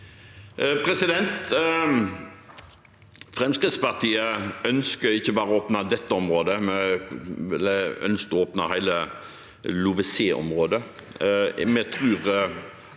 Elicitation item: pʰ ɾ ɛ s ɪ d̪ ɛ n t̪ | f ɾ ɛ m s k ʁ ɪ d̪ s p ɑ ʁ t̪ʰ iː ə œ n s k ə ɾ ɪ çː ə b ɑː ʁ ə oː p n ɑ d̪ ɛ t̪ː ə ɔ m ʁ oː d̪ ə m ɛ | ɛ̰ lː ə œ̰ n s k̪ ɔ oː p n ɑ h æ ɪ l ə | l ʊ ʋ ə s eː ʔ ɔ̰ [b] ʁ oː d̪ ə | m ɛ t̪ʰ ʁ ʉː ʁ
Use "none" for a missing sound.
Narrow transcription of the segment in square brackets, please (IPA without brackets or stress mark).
m